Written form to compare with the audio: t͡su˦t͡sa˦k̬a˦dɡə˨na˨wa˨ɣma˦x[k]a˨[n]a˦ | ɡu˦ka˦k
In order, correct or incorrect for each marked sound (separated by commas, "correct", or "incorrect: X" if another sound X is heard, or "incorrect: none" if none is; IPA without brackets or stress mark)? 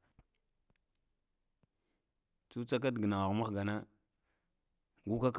incorrect: ɡ, correct